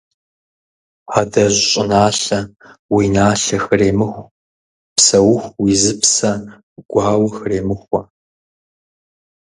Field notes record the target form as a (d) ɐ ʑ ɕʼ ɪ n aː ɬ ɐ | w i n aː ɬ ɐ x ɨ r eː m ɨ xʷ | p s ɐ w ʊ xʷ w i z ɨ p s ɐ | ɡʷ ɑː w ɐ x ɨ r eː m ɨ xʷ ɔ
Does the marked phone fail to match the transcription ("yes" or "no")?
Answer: no